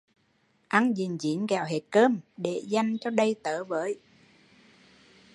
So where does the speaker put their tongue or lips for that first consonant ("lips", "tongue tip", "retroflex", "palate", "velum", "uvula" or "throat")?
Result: throat